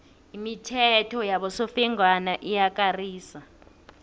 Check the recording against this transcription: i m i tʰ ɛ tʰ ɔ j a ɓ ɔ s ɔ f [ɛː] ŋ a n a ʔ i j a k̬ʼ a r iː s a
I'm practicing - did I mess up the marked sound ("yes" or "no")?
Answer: yes